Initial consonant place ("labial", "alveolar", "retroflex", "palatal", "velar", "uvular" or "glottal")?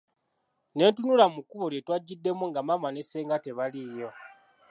alveolar